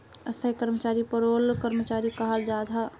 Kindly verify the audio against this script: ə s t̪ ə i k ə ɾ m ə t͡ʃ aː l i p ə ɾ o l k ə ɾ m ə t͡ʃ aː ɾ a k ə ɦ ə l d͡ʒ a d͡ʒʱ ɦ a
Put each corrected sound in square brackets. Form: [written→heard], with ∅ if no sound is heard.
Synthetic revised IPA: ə s [t̪→t̪ʰ] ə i k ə ɾ m ə t͡ʃ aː [l→ɾ] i p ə ɾ o l k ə ɾ m ə t͡ʃ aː ɾ [a→i] k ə ɦ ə l d͡ʒ a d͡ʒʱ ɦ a